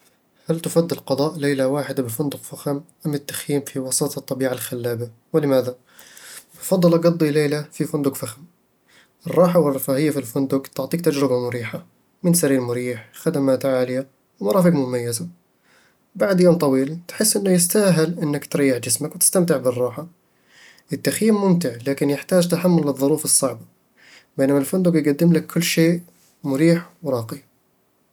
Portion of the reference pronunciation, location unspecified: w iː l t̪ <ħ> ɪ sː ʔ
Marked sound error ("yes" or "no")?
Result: no